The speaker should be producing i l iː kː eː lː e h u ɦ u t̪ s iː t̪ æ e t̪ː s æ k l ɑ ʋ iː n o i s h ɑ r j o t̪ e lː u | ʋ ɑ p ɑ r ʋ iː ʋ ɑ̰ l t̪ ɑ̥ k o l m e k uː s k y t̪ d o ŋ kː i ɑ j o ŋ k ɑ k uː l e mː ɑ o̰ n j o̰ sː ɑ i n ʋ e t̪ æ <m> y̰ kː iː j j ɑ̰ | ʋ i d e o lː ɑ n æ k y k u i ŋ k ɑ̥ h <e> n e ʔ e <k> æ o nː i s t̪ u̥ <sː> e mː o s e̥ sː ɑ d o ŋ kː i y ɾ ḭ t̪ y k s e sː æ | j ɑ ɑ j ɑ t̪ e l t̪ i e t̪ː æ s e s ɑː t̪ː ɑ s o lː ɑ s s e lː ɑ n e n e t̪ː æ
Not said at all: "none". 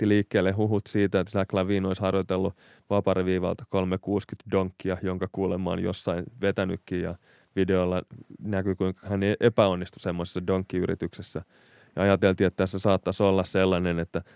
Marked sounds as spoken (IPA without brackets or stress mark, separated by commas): n, æ, p, s